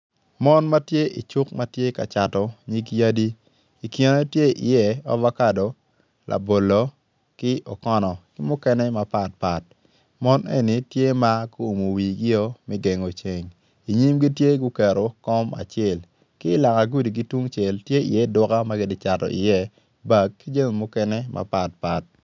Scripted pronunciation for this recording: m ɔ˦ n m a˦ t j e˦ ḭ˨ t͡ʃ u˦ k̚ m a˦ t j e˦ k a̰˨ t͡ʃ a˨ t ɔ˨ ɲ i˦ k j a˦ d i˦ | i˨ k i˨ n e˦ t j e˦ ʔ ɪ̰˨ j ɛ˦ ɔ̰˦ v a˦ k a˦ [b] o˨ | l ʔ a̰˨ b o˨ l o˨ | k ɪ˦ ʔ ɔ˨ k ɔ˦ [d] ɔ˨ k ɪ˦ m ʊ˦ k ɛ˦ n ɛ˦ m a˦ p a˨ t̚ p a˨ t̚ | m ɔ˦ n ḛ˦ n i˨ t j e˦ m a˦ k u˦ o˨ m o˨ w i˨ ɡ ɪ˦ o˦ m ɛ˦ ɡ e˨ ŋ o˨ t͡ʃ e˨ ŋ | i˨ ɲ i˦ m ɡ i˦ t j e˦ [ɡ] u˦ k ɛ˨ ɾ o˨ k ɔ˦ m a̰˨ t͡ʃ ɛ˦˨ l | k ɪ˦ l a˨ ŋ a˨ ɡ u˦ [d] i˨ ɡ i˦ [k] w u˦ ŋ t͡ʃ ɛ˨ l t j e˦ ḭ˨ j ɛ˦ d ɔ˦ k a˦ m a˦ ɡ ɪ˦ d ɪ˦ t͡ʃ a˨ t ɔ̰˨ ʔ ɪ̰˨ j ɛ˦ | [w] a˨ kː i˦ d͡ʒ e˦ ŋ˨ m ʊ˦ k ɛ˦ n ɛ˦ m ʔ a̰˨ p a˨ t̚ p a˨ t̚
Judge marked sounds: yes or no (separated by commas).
no, no, yes, yes, no, no